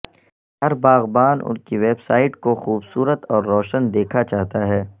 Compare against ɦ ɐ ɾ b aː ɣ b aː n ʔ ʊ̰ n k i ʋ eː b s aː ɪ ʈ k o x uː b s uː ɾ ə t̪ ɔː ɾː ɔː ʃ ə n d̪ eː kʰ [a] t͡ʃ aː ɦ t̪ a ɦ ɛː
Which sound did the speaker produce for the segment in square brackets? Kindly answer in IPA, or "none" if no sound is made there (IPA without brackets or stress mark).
a